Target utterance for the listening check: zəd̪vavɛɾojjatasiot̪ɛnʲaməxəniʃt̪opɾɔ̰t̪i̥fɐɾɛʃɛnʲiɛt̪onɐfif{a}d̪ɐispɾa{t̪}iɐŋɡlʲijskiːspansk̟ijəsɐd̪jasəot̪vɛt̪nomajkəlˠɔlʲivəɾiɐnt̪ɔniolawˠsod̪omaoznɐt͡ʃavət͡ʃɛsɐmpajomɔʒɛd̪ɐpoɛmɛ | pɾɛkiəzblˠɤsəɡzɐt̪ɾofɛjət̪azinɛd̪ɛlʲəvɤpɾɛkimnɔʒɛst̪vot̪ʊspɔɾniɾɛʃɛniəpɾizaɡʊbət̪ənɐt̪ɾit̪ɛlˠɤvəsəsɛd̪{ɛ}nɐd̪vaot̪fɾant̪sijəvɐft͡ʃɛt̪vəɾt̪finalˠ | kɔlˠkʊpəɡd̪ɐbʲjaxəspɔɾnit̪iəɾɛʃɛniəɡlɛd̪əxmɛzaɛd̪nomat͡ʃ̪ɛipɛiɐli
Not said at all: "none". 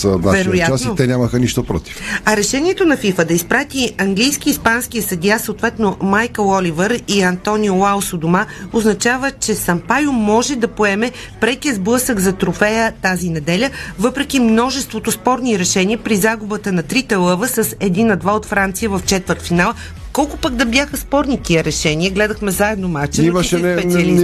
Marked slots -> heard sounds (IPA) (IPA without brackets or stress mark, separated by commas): ə, t̪, i